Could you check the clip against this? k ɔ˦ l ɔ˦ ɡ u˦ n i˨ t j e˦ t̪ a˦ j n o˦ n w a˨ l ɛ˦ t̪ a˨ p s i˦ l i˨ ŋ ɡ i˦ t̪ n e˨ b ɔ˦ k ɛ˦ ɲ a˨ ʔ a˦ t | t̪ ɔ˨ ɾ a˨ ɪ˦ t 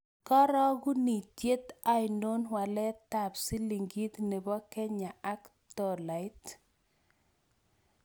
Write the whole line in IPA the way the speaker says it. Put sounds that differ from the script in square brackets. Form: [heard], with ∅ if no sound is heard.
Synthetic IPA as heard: k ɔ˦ [ɾ] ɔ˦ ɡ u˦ n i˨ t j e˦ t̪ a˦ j n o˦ n w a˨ l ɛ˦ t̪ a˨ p s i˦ l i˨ ŋ ɡ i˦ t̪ n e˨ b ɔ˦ k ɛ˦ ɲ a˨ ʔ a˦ [k] | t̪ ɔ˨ [l] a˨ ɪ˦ t